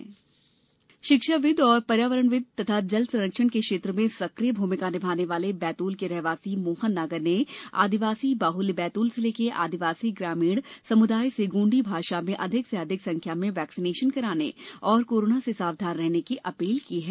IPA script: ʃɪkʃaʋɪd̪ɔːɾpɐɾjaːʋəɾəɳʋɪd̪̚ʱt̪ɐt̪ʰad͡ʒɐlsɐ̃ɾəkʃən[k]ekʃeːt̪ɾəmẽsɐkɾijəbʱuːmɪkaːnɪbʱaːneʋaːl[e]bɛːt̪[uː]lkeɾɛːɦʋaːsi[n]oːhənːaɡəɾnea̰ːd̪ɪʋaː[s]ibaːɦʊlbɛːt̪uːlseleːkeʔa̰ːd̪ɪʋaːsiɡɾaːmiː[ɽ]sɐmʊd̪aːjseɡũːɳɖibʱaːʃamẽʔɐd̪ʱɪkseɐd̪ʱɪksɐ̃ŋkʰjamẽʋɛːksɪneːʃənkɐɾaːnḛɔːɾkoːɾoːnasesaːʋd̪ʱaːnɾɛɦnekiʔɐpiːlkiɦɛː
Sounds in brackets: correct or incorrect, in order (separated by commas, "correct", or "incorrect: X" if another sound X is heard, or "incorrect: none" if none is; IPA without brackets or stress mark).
correct, correct, correct, incorrect: m, correct, correct